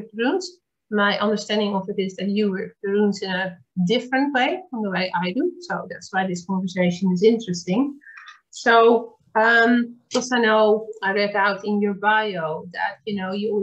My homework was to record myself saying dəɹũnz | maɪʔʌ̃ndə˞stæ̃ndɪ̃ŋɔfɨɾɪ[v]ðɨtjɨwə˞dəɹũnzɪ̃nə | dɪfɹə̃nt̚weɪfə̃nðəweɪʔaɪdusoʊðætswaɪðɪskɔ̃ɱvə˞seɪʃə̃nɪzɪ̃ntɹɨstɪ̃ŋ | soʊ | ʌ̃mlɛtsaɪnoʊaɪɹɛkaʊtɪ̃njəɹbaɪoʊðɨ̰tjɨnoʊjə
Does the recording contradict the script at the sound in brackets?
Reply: yes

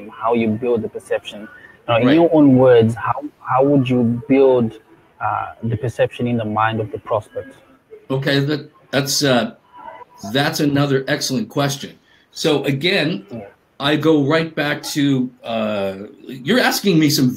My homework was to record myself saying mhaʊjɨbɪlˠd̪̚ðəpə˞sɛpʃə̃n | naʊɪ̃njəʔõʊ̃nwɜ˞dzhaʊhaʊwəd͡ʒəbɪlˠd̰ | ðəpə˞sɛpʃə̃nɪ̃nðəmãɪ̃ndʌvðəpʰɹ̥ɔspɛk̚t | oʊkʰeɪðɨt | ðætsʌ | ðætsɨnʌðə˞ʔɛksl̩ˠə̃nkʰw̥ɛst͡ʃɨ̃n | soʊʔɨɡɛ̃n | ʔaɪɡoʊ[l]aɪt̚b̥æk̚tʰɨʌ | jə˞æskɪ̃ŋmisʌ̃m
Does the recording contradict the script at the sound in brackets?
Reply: yes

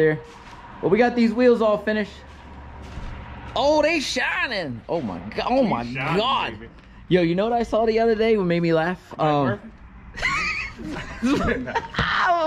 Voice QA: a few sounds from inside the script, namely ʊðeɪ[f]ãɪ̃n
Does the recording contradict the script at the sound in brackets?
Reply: yes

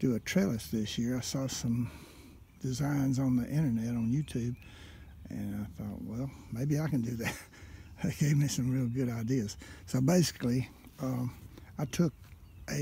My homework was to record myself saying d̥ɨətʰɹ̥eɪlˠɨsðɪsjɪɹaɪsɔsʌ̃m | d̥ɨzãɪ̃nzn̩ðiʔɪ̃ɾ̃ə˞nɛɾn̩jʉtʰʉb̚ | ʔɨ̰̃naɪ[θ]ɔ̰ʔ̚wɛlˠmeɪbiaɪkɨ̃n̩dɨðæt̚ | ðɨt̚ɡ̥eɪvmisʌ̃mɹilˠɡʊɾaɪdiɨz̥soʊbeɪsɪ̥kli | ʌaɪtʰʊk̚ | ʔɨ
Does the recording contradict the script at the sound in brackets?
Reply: no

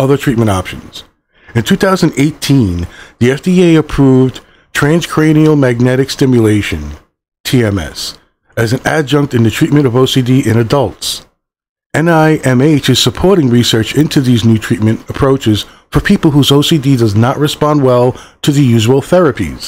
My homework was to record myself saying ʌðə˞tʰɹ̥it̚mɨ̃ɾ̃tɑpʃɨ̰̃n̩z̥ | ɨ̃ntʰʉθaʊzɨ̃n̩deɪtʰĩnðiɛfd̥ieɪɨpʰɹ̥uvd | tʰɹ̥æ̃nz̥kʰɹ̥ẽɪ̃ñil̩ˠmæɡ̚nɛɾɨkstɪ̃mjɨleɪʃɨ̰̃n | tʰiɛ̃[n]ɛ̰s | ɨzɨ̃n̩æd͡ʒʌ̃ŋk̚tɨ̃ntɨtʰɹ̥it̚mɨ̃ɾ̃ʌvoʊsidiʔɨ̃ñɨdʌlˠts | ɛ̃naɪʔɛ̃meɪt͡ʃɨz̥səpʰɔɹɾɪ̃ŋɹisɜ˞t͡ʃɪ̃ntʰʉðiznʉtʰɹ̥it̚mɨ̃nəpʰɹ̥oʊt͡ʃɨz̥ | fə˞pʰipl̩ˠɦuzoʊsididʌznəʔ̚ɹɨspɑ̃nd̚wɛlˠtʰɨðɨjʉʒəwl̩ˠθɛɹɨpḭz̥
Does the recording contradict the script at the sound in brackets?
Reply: yes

